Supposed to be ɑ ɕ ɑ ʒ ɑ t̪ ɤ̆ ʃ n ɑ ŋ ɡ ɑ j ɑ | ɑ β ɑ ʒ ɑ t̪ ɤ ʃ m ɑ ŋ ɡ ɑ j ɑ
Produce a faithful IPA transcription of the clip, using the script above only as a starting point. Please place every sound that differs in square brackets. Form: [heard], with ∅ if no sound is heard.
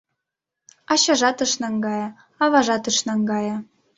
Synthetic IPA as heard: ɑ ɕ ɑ ʒ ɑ t̪ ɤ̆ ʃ n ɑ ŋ ɡ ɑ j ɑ | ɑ β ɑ ʒ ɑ t̪ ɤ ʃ [n] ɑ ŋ ɡ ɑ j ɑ